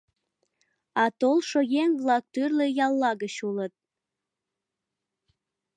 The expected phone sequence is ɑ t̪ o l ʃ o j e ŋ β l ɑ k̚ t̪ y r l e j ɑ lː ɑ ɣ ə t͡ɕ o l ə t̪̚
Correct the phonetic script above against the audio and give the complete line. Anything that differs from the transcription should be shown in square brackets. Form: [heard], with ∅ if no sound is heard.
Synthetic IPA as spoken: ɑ t̪ o l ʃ o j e ŋ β l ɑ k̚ t̪ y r l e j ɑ lː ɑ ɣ ə t͡ɕ [u] l ə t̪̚